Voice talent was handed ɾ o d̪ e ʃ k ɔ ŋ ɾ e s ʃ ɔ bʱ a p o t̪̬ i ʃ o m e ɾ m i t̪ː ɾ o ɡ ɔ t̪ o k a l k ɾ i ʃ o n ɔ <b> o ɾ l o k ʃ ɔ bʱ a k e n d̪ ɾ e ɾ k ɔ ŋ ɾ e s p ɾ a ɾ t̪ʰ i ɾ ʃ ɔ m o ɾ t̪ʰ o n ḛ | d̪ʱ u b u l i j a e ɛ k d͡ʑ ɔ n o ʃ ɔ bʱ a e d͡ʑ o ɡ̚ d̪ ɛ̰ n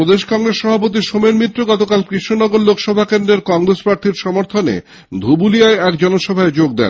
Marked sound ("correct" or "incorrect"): incorrect